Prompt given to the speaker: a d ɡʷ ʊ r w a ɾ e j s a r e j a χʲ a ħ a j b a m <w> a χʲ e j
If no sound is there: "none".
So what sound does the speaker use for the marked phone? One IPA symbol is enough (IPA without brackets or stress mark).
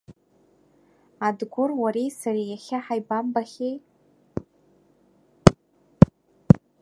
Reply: b